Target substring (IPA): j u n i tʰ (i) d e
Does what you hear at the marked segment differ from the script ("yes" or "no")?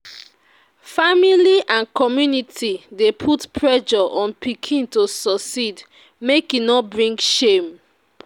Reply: no